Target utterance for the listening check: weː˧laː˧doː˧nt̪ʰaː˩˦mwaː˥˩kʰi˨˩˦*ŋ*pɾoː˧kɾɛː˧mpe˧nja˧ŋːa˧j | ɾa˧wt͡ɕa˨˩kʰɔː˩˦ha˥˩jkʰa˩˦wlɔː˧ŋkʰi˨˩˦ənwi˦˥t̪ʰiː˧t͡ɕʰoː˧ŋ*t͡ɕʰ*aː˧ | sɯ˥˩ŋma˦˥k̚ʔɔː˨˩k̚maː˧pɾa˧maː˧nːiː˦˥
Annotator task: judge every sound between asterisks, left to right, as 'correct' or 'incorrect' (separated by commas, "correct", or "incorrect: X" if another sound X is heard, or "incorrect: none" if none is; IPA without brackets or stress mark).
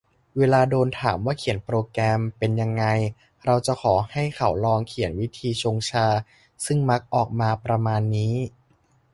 incorrect: n, correct